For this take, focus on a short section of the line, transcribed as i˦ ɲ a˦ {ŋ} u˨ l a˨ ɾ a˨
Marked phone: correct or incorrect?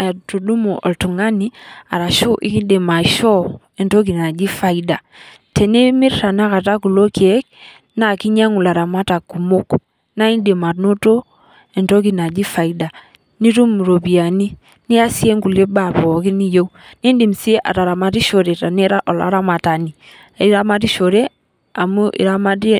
correct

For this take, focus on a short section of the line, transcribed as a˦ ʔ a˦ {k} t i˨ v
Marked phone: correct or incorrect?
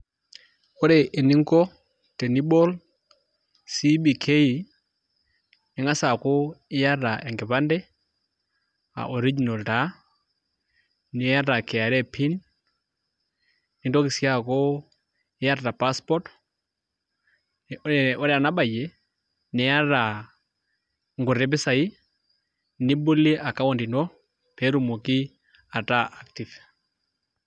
correct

